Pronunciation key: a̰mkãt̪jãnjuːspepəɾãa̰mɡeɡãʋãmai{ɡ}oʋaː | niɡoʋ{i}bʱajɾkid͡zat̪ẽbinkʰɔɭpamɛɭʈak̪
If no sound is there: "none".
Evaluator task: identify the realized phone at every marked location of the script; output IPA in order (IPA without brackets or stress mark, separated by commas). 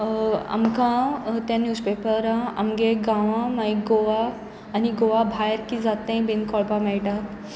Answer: ɡ, a